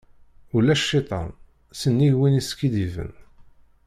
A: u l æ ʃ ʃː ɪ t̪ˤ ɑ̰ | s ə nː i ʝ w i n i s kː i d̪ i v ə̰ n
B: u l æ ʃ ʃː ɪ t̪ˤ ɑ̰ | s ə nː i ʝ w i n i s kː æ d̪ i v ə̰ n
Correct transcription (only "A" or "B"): A